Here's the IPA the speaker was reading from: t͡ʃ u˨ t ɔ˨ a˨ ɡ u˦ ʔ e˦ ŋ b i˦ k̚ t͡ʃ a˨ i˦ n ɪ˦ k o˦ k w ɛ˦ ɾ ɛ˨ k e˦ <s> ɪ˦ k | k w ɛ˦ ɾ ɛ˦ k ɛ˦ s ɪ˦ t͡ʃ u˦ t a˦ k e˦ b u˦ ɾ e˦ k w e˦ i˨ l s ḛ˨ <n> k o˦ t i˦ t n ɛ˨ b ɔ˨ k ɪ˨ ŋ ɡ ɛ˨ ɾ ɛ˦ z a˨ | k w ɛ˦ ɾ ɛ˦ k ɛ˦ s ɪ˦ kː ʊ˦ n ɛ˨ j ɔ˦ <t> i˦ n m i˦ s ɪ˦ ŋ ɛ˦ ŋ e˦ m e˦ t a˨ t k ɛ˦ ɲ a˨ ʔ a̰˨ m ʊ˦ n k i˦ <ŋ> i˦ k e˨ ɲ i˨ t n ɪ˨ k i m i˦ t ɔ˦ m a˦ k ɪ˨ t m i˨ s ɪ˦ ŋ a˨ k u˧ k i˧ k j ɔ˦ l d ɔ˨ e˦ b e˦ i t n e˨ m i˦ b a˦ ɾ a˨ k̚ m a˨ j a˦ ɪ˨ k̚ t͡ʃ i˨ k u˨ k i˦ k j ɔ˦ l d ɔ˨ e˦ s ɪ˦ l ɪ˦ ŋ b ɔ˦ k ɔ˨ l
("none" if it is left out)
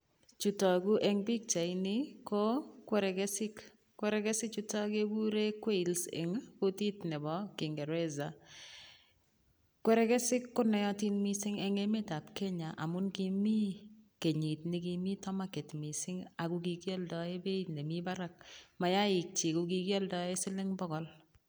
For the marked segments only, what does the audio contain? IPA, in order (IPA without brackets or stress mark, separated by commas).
s, ŋ, t, m